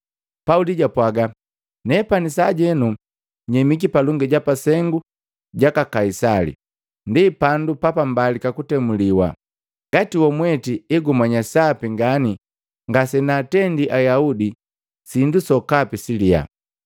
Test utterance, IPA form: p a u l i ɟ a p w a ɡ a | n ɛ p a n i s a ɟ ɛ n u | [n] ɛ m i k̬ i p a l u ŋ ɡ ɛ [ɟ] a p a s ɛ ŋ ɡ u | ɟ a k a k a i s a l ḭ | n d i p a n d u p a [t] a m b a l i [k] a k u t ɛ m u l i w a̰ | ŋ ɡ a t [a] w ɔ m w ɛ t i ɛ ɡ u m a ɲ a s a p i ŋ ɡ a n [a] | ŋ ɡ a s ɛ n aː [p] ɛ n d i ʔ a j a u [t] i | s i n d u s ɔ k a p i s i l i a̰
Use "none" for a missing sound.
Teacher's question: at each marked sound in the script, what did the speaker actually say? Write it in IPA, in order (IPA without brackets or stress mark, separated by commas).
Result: ɲ, ɟ, p, k, i, i, t, d